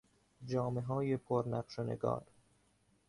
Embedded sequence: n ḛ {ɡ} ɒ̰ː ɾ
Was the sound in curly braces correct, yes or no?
yes